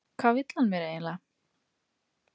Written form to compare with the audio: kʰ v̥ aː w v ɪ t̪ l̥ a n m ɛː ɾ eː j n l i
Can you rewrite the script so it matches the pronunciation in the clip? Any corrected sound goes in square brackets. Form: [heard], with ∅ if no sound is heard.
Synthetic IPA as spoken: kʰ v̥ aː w v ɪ t̪ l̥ a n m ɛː ɾ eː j n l [a]